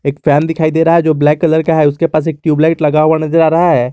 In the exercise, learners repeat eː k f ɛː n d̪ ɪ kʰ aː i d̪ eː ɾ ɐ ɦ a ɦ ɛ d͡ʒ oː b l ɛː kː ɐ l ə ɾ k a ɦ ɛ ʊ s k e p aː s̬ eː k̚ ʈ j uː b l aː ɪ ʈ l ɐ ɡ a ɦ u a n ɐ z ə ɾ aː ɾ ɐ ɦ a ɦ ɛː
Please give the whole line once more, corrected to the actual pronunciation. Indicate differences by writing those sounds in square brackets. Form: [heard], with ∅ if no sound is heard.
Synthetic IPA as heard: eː k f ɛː n d̪ ɪ kʰ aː i d̪ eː ɾ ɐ ɦ a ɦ ɛ d͡ʒ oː b l ɛː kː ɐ l ə ɾ k a ɦ ɛ ʊ s k e p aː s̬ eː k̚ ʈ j uː b l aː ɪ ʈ l ɐ ɡ a ɦ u a n ɐ z ə ɾ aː ɾ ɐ ɦ a ɦ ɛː